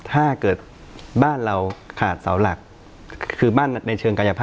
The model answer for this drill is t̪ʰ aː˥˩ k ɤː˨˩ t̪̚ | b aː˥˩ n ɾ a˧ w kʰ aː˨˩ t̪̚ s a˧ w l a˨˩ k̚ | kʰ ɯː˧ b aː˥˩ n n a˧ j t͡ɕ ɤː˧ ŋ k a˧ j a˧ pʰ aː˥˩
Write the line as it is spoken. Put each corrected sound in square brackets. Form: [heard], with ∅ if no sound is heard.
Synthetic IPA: t̪ʰ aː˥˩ k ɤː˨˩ t̪̚ | b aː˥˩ n ɾ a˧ w kʰ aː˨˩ t̪̚ s [a˩˦] w l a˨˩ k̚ | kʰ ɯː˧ b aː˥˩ n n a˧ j [t͡ɕʰ] ɤː˧ ŋ k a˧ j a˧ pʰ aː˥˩